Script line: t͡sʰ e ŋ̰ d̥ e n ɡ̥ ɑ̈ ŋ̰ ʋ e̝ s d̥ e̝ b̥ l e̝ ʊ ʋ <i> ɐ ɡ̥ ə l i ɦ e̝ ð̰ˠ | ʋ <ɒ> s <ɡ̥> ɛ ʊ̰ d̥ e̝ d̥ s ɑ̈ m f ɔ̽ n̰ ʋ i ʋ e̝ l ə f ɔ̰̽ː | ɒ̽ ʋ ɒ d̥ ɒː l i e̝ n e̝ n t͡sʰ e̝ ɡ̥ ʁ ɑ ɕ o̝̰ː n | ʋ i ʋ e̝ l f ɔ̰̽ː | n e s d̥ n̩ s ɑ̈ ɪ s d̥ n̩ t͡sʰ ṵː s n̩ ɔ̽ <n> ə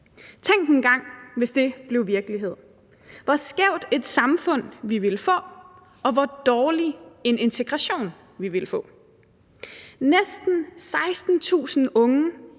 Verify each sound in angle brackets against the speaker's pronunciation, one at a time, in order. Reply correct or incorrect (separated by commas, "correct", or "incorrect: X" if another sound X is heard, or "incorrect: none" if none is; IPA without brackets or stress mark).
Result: correct, correct, correct, incorrect: ŋ